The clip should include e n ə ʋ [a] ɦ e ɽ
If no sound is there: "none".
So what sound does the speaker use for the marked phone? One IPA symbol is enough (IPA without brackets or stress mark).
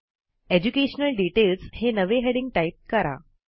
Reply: e